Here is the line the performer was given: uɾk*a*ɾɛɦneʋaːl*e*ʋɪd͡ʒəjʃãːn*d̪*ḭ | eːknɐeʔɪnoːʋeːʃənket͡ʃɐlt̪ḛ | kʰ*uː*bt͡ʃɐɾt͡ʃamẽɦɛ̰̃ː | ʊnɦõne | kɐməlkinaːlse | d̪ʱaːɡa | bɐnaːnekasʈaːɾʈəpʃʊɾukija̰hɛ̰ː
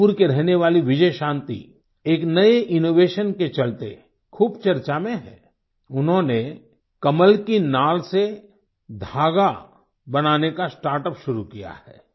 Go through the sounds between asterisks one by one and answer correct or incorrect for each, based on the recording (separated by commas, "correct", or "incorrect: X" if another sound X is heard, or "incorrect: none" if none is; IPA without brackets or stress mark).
incorrect: e, incorrect: i, incorrect: t̪, correct